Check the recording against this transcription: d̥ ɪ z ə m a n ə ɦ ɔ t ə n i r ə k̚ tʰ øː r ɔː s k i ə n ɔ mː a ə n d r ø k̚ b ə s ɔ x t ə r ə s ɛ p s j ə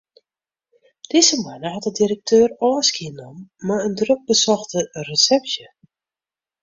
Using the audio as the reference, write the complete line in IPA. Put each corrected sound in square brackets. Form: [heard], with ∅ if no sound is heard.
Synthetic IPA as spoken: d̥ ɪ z ə m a n ə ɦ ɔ t ə [d] i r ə k̚ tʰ øː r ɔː s k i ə n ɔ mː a ə n d r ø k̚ b ə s ɔ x t ə r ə s ɛ p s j ə